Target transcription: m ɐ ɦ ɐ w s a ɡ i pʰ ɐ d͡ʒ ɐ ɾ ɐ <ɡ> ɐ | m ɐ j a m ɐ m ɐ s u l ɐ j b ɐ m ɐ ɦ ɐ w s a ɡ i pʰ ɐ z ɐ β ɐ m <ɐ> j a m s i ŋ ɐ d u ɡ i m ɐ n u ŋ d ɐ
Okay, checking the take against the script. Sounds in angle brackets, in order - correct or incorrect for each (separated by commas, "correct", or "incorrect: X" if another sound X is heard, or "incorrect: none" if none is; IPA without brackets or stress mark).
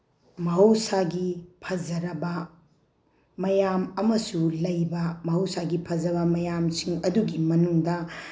incorrect: b, correct